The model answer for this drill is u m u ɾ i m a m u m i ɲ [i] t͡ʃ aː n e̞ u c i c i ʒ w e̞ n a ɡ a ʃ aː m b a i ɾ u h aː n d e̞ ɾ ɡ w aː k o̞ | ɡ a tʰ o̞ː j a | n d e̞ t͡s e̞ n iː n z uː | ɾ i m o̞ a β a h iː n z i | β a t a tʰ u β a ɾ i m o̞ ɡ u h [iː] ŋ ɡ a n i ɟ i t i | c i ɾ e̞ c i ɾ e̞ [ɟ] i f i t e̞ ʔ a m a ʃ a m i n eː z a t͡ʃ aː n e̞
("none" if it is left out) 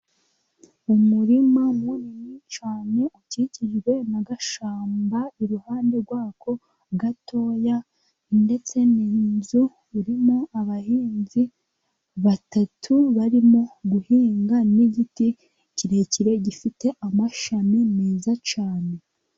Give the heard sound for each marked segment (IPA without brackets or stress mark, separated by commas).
i, iː, ɟ